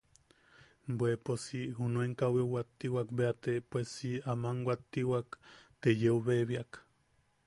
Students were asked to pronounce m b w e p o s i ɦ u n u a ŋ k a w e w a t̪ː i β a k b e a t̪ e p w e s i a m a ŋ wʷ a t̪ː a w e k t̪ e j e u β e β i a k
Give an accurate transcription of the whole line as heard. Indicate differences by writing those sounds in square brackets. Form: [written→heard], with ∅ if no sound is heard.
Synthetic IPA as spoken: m b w e p o s i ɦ u n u [a→e] ŋ k a w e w a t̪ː i [β→w] a k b e a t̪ e p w e s i a m a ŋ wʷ a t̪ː [a→i] w [e→a] k t̪ e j e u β e β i a k